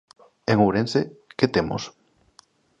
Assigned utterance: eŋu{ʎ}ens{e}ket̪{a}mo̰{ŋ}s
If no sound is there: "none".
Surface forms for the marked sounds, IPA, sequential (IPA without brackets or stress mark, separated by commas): ɾ, e, e, none